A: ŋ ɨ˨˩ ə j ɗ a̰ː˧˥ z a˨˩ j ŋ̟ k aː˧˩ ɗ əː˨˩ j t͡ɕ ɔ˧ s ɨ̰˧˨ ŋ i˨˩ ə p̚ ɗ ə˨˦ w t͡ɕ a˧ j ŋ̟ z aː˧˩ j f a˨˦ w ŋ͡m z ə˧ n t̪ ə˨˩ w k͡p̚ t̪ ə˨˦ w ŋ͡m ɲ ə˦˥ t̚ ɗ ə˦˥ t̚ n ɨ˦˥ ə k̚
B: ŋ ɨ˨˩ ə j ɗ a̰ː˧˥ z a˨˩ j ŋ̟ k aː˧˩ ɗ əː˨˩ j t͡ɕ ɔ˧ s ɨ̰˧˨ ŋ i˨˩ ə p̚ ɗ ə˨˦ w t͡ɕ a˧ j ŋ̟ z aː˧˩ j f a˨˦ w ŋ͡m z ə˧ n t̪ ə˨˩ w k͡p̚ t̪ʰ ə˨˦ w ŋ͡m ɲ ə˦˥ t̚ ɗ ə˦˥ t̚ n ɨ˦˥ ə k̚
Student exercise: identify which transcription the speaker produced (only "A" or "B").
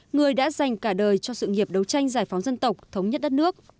B